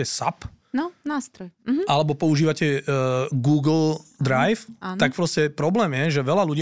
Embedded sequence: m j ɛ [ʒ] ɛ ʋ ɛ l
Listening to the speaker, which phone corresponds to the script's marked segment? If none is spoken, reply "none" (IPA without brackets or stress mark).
ʒ